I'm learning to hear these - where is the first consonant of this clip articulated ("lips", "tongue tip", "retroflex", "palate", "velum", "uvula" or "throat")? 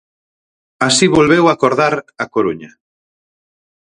tongue tip